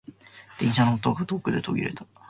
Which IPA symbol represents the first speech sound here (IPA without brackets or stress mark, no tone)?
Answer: d̪̥